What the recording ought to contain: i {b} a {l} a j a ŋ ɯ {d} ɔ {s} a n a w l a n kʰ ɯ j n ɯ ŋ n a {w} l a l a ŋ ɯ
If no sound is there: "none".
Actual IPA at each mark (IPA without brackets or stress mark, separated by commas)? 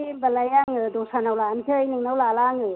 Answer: b, l, d, s, w